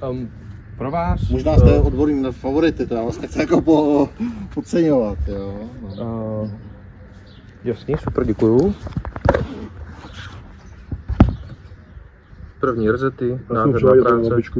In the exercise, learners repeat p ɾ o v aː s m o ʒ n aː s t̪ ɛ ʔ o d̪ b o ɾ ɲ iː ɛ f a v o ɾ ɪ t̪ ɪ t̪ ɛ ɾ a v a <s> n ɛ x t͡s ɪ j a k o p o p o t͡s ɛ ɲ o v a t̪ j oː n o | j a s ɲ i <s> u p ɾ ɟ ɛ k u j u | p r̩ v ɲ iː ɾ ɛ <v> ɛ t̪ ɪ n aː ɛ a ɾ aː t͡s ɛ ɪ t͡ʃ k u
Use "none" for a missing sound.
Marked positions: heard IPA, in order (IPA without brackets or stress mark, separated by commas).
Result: s, s, z